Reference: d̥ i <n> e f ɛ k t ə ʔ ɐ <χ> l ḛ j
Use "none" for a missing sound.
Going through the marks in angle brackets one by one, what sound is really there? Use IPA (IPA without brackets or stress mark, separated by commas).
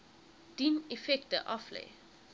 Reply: n, f